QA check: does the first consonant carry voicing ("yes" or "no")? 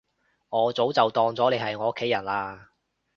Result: yes